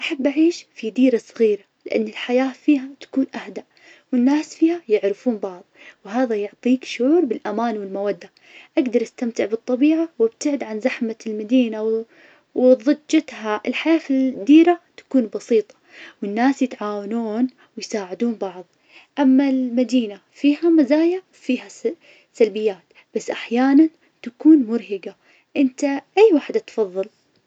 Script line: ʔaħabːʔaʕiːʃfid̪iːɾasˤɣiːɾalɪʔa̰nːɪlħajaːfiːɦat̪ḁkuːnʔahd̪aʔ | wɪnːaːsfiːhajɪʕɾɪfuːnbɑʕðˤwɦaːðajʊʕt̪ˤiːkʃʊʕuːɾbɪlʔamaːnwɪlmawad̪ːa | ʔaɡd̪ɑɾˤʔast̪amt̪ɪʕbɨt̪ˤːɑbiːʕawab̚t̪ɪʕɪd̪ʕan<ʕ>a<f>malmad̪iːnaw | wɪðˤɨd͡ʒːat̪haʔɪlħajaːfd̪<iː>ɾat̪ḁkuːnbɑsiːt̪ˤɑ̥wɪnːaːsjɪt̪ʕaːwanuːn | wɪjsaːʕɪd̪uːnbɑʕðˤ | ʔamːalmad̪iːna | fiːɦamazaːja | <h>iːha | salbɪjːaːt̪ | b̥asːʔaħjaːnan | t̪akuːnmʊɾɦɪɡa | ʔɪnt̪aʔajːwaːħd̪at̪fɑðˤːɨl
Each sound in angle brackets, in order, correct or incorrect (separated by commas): incorrect, incorrect, correct, incorrect